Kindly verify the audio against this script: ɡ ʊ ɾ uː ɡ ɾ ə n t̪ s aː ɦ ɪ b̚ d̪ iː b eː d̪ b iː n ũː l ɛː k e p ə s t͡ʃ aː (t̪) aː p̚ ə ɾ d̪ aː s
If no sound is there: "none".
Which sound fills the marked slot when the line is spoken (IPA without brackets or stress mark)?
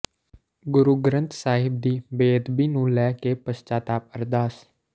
t̪